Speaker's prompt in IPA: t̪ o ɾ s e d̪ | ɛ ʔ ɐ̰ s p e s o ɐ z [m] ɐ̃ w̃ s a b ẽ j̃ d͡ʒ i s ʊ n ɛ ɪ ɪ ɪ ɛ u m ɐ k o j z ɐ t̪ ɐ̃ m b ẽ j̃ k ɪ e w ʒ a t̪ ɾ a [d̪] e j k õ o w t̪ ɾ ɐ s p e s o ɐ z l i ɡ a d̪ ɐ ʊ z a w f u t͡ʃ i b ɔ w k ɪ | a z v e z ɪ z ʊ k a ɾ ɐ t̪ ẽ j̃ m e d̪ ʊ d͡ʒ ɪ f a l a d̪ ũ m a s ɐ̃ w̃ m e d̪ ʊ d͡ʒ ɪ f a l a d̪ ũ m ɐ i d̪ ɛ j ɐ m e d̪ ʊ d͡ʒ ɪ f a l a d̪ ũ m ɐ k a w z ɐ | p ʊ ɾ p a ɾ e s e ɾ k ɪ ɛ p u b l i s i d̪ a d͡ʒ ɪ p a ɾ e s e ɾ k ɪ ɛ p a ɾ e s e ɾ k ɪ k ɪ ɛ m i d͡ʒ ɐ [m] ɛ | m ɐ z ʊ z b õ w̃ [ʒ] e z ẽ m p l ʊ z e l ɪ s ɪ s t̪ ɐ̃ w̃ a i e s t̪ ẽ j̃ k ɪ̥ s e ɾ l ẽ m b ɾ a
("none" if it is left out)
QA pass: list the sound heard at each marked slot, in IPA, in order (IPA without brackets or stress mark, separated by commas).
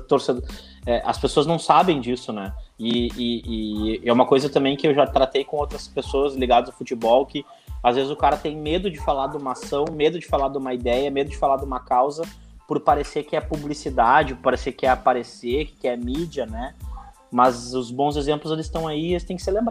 n, t̪, n, z